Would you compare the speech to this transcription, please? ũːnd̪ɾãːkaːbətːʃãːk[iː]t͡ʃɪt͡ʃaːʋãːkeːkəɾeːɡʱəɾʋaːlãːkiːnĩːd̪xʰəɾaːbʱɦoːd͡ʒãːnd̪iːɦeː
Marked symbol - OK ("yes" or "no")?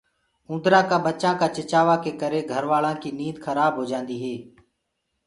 no